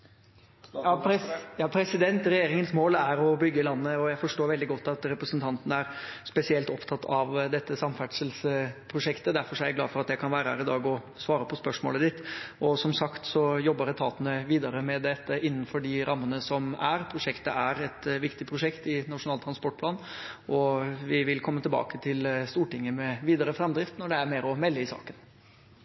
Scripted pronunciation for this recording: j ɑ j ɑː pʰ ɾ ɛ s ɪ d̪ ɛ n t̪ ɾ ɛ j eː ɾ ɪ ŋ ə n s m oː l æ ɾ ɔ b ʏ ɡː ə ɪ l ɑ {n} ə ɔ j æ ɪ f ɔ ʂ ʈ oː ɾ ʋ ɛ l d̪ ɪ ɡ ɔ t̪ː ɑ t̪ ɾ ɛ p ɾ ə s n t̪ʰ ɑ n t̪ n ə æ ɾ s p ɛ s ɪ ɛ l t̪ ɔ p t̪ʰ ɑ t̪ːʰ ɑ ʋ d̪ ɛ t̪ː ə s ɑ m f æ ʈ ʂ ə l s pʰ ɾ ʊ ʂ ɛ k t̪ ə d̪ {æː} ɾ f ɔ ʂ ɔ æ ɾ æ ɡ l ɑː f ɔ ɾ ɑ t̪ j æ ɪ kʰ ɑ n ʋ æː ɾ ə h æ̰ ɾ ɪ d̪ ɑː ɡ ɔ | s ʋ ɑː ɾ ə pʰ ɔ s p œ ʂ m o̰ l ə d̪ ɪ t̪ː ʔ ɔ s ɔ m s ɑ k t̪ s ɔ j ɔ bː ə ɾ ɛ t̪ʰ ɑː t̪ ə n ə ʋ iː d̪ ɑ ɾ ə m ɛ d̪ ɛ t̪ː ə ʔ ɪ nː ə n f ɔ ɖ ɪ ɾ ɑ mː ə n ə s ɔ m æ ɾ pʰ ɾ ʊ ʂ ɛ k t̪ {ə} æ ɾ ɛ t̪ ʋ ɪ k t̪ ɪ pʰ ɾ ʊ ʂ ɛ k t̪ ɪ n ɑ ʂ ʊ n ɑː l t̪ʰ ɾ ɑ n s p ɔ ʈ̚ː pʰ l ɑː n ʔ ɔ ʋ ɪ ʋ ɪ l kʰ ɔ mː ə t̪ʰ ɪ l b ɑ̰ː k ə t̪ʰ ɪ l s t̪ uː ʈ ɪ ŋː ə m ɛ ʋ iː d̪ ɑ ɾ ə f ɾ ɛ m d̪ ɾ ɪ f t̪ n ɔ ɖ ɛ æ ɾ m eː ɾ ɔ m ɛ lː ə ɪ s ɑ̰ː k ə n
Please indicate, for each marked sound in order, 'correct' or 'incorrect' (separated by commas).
incorrect, incorrect, correct